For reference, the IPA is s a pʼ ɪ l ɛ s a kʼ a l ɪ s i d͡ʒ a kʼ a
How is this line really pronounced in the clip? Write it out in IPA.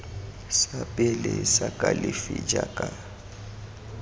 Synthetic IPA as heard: s a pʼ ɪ l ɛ s a kʼ a l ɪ f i d͡ʒ a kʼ a